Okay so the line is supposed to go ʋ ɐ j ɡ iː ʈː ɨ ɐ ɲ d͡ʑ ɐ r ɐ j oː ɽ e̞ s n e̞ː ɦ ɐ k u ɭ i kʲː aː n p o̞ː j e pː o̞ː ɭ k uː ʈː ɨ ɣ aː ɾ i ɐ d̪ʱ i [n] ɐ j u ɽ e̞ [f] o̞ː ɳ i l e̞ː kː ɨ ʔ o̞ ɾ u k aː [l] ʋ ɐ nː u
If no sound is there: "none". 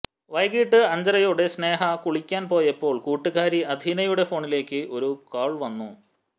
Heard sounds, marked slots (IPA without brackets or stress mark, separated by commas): n, f, ɭ